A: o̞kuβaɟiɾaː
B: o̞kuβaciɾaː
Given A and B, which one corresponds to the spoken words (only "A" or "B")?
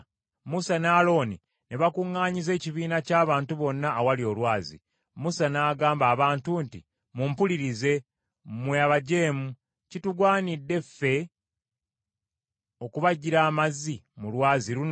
A